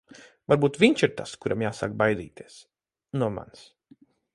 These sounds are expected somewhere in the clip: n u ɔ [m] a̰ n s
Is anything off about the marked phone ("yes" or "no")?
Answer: no